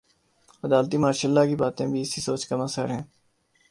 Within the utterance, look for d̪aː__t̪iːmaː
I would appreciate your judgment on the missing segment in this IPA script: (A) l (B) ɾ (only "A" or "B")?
A